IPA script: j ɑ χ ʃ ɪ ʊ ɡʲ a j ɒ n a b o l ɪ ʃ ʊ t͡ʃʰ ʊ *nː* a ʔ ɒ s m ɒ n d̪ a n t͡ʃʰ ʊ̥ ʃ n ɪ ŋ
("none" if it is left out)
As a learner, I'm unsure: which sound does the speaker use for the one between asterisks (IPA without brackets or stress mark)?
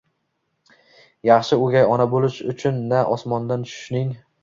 nː